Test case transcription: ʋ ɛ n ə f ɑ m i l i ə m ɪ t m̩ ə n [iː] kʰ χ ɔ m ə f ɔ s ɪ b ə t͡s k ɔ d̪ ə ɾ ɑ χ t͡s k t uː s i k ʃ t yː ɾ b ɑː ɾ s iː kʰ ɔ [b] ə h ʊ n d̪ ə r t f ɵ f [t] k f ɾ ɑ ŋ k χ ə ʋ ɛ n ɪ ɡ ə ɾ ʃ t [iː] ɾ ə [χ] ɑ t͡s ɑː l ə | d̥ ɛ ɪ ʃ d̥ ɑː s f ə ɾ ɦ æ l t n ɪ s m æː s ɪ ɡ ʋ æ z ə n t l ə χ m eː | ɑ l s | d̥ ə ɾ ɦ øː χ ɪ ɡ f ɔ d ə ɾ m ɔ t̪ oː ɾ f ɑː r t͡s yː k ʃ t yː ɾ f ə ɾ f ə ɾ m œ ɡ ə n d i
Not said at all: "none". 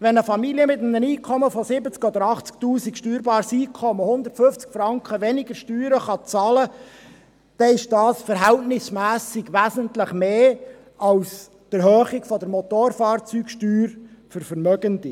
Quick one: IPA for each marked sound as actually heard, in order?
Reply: iː, m, t͡s, yː, χ

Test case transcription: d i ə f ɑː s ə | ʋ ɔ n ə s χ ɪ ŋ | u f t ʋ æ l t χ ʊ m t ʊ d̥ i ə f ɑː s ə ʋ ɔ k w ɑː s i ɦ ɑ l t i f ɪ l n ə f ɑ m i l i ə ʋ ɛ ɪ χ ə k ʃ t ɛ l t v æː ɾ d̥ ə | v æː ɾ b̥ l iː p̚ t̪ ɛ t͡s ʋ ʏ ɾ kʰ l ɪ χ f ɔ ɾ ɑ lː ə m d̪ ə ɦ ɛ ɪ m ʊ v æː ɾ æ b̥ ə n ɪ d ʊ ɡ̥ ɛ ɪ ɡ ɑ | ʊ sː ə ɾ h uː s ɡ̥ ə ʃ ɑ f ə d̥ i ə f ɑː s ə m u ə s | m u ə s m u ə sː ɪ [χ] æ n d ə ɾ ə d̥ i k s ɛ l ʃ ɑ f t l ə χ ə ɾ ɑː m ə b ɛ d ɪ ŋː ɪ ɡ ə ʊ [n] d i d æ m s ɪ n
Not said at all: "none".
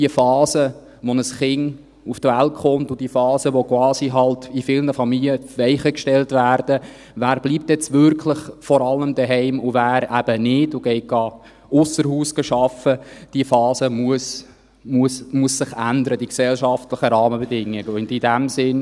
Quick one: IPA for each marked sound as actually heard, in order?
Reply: χ, n

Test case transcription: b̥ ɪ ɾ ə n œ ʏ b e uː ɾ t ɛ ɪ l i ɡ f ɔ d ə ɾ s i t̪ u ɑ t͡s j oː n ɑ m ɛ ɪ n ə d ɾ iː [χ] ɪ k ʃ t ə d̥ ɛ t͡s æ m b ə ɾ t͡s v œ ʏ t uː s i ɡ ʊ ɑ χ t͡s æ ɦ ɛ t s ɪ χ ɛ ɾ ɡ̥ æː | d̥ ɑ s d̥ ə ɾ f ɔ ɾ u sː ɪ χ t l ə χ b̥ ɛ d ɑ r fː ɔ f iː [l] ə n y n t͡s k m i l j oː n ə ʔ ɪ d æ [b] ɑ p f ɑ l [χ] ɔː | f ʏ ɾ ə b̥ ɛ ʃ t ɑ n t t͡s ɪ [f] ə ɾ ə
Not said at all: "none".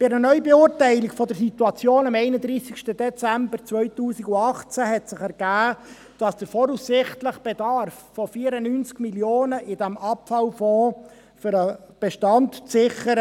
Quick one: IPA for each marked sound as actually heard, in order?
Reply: s, ɾ, m, f, χ

